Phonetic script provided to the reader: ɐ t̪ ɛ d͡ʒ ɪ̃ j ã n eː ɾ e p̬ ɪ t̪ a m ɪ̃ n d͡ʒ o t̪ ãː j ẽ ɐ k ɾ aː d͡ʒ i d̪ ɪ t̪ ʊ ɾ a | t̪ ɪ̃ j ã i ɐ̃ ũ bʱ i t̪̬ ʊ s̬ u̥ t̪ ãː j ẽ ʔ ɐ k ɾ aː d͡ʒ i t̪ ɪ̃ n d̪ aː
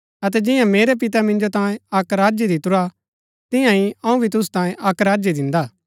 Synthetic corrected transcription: ɐ t̪ ɛ d͡ʒ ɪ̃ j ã m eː ɾ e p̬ ɪ t̪ a m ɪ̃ n d͡ʒ o t̪ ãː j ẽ ɐ k ɾ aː d͡ʒ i d̪ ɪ t̪ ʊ ɾ a | t̪ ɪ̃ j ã i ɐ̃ ũ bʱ i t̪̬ ʊ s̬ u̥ t̪ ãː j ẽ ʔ ɐ k ɾ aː d͡ʒ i d̪ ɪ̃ n d̪ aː